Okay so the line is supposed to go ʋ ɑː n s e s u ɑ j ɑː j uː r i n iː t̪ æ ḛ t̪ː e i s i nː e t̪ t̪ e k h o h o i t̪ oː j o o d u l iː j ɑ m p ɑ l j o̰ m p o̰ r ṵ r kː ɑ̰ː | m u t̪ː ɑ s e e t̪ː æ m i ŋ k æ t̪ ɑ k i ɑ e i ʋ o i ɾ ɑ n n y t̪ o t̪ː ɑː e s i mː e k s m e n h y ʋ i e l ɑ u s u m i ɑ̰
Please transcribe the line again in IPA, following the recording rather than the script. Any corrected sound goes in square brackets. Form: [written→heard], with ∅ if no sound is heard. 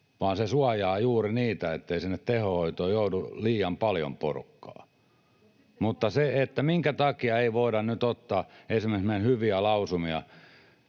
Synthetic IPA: ʋ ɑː n s e s u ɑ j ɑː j uː r i n iː t̪ æ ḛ t̪ː e i s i nː e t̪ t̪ e [k→∅] h o h o i t̪ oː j o [o→u] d u l iː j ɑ m p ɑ l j o̰ m p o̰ r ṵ [r→∅] kː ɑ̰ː | m u t̪ː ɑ s e e t̪ː æ m i ŋ k æ t̪ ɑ k i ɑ e i ʋ o i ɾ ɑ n n y t̪ o t̪ː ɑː e s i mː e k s m e n h y ʋ i [e→æ] l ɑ u s u m i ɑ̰